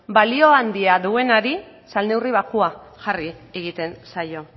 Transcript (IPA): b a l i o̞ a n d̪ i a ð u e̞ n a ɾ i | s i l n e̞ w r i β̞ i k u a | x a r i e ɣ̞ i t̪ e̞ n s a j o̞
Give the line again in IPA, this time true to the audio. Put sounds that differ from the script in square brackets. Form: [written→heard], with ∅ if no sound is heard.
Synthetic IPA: b a l i o̞ a n d̪ i a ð u e̞ n a ɾ i | s [i→a] l n e̞ w r i β̞ [i→a] k u a | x a r i e ɣ̞ i t̪ e̞ n s a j o̞